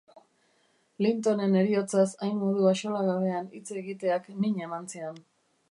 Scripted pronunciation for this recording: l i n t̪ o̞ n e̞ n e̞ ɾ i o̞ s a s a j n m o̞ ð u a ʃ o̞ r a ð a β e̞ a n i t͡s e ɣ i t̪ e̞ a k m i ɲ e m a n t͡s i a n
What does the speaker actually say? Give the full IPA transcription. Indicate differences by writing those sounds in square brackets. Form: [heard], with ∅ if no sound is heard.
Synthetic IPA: l i n t̪ o̞ n e̞ n e̞ ɾ i o̞ [t͡s] a s a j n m o̞ ð u a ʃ o̞ [l] a [ɣ] a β e̞ a n i t͡s e ɣ i t̪ e̞ a k [n] i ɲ e m a n t͡s i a n